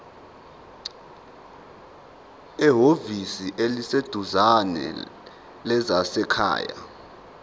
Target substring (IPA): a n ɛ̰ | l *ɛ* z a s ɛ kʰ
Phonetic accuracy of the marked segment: correct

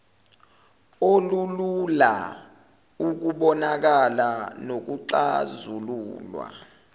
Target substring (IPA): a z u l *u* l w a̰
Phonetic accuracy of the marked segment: incorrect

